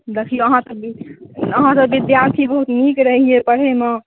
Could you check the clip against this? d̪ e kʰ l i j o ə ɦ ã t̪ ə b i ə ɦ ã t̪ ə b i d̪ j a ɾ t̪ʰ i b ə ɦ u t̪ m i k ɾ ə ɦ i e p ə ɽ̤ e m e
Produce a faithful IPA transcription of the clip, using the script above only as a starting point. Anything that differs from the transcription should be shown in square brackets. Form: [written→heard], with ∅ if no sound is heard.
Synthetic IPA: d̪ e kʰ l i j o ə ɦ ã t̪ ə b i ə ɦ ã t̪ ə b i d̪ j a ɾ t̪ʰ i b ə ɦ u t̪ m i k ɾ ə ɦ i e p ə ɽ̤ e m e